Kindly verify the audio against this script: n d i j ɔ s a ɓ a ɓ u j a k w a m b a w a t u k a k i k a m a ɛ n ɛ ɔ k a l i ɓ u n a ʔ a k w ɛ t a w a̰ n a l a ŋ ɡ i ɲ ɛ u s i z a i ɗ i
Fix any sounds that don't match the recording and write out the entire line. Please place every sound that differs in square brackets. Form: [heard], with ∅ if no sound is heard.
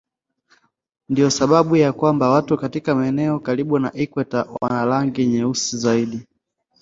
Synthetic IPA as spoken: n d i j ɔ s a ɓ a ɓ u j a k w a m b a w a t u k a [t] i k a m a ɛ n ɛ ɔ k a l i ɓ u n a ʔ [i] k w ɛ t a w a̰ n a l a ŋ ɡ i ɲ ɛ u s i z a i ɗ i